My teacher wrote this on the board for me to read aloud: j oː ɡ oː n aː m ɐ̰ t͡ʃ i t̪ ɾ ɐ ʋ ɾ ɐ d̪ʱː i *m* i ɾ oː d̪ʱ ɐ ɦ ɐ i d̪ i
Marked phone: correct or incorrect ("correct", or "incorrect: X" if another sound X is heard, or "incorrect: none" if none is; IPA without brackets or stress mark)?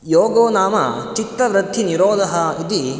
incorrect: n